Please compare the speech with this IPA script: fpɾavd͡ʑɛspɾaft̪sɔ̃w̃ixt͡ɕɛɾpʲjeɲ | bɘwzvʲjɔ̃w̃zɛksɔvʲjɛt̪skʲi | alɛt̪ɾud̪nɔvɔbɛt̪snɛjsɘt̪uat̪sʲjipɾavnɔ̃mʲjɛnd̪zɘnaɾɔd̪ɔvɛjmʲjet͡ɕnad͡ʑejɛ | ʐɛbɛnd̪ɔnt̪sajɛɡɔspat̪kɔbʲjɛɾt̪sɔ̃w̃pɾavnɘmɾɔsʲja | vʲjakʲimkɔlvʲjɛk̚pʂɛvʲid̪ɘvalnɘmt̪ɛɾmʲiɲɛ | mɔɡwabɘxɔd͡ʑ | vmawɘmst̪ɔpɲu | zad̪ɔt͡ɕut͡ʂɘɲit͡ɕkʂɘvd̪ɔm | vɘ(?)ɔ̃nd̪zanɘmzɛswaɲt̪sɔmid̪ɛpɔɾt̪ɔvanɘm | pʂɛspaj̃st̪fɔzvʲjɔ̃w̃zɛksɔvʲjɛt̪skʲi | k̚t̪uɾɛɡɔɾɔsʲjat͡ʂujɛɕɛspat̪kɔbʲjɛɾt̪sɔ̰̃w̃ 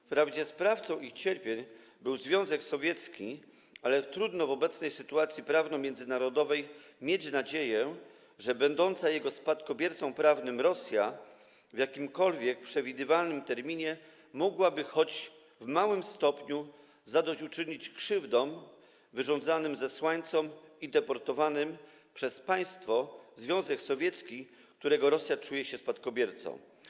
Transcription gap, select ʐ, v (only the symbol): ʐ